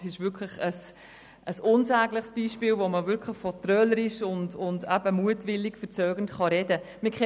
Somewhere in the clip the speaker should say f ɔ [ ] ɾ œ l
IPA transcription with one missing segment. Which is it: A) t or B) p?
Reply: A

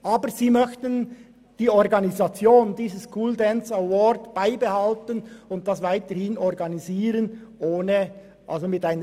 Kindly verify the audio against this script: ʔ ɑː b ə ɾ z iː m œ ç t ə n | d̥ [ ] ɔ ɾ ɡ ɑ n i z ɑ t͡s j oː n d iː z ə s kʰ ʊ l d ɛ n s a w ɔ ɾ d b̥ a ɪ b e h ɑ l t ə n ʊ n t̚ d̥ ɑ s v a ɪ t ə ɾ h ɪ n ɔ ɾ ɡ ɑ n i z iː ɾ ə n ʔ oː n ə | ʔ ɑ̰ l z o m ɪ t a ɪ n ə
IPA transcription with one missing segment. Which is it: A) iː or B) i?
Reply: A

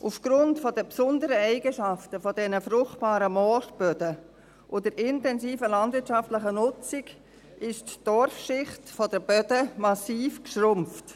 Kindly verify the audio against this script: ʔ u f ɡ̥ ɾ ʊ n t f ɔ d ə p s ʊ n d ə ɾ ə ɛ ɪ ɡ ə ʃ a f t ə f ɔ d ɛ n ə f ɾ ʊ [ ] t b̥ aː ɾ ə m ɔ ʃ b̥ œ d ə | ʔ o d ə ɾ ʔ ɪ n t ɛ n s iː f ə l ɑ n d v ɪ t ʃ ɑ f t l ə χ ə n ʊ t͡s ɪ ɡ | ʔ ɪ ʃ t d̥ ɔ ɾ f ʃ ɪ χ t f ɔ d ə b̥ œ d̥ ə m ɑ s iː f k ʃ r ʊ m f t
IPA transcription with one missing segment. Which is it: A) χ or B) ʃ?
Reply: A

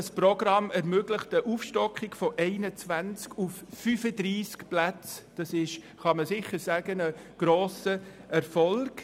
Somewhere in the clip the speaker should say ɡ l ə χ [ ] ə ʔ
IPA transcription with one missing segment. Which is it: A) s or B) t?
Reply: B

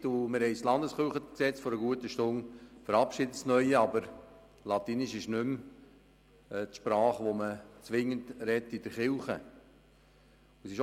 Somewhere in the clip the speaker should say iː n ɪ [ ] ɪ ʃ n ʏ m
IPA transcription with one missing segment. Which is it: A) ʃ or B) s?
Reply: A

